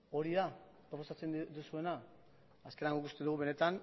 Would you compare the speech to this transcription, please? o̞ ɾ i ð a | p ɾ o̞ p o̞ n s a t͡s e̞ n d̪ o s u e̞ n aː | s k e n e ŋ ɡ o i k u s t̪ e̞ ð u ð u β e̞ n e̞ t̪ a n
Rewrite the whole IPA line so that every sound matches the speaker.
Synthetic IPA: o̞ ɾ i ð a | p ɾ o̞ p o̞ s a t͡s e̞ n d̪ u s u e̞ n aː | s k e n a ŋ ɡ o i k u s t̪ e̞ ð u ɣ u β e̞ n e̞ t̪ a n